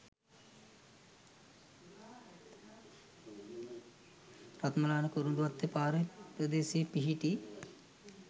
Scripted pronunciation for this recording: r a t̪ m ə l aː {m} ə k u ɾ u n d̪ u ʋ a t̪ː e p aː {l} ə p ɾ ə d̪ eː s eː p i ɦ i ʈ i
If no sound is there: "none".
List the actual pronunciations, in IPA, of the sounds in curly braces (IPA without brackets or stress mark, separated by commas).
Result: n, ɾ